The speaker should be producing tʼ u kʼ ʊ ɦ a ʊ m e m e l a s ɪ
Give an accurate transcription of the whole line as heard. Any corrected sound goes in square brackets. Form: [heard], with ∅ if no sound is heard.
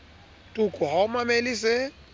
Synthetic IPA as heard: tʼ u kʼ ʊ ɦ a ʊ m [a] m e l [i] s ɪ

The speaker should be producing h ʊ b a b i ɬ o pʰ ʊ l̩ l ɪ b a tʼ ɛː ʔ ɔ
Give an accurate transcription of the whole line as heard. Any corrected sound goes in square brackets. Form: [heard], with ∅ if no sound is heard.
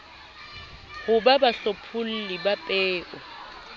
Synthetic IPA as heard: h ʊ b a b [a] ɬ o pʰ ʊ l̩ l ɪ b a [pʼ] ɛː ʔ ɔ

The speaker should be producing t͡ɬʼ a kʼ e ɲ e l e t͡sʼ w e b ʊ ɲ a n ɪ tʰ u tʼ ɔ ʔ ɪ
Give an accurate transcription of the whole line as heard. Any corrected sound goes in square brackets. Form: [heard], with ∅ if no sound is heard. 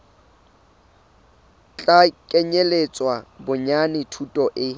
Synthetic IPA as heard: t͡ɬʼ a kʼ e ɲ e l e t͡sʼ w [a] b ʊ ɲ a n ɪ tʰ u tʼ ɔ ʔ ɪ

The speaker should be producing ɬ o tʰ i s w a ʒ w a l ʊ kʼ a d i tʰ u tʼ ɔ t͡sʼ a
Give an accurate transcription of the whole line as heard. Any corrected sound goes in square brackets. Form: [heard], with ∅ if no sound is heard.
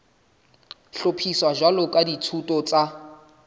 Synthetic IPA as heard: ɬ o [pʰ] i s w a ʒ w a l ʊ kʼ a d i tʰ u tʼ ɔ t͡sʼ a

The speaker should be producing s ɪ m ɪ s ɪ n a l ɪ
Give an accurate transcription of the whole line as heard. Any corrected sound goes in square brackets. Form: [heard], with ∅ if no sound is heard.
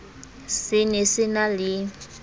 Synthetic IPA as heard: s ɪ [n] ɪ s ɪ n a l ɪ

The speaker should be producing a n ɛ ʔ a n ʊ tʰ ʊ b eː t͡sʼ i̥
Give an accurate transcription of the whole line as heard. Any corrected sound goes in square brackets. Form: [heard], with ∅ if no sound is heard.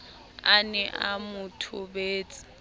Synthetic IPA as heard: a n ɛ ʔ a [m] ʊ tʰ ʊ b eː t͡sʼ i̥

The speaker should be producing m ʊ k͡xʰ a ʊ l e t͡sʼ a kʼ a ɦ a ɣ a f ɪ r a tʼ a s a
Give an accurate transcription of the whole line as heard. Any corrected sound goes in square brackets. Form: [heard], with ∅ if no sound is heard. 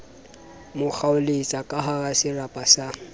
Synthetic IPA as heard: m ʊ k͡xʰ a ʊ l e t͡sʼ a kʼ a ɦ a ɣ a [s] ɪ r a [pʼ] a s a

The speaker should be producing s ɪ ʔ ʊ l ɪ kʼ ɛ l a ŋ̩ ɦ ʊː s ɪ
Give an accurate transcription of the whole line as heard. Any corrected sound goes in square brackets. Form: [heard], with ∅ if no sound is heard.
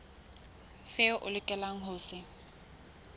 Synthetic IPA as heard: s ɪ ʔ ʊ l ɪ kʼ ɛ l a ŋ̩ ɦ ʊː s ɪ

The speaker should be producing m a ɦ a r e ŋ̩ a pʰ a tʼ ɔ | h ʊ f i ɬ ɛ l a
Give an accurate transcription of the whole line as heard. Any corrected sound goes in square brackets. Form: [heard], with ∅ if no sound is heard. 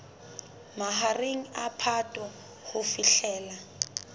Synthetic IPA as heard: m a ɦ a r e ŋ̩ a pʰ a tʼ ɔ | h ʊ f i ɬ [ɛː] l a

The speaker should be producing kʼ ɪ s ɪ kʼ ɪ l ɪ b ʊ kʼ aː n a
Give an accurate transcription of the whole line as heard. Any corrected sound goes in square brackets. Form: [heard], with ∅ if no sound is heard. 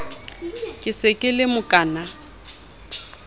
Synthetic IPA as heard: kʼ ɪ s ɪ kʼ ɪ l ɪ [m] ʊ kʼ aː n a

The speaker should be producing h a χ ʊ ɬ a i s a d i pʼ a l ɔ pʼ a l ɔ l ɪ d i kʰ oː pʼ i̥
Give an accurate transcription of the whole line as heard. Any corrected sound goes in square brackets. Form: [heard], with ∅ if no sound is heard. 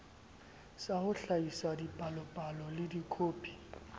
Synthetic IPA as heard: [s] a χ ʊ ɬ a i s a d i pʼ a l ɔ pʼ a l ɔ l ɪ d i kʰ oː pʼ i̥

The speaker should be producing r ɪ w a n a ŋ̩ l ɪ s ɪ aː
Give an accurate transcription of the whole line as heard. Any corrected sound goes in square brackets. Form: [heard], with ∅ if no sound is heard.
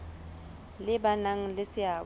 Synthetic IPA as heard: [l] ɪ [b] a n a ŋ̩ l ɪ s ɪ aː

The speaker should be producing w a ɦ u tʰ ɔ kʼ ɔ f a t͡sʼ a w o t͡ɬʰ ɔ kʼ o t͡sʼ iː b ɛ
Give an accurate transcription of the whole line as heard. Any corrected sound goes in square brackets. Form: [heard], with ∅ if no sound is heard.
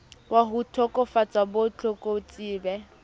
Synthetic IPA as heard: w a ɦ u tʰ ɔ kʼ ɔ f a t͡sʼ a [b] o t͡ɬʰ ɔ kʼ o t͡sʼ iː b ɛ

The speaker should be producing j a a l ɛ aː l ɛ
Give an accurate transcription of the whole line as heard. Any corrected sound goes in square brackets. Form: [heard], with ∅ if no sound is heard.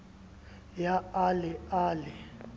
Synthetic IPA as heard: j a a l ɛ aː l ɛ

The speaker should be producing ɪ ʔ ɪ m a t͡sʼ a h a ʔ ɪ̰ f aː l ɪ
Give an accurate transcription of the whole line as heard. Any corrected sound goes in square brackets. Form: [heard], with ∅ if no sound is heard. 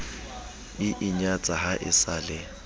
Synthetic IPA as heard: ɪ ʔ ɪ [ɲ] a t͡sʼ a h a ʔ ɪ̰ [s] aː l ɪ

